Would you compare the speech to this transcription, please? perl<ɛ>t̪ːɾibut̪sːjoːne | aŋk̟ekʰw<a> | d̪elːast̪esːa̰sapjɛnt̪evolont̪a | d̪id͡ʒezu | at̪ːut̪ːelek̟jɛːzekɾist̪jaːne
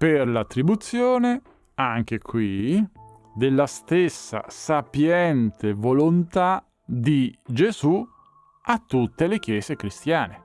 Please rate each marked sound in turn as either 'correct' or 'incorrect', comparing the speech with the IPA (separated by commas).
incorrect, incorrect